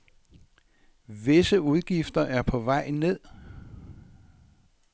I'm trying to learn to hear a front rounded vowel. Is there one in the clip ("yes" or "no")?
no